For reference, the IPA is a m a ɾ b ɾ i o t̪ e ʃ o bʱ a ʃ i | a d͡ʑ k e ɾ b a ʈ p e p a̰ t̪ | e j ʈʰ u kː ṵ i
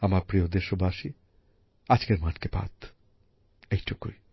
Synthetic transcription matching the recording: a m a ɾ p ɾ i o d̪ e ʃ o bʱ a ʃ i | a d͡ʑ k e ɾ m a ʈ k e p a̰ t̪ | e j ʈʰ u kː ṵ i